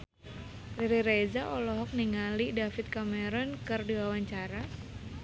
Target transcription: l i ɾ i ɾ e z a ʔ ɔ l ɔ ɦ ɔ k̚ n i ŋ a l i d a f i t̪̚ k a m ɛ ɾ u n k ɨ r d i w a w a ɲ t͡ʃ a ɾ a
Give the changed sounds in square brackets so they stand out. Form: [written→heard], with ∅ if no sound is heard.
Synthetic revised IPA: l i ɾ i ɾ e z a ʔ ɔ l ɔ ɦ ɔ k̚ n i ŋ a l i d a f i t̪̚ k a m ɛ ɾ [u→ɔ] n k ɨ r d i w a w a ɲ t͡ʃ a ɾ a